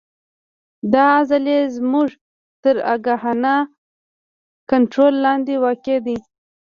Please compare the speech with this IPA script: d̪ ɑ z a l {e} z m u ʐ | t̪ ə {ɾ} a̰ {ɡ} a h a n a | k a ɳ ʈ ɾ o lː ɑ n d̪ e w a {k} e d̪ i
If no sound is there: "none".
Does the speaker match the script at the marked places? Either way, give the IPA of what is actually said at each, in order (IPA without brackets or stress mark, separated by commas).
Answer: e, ɾ, ɡ, k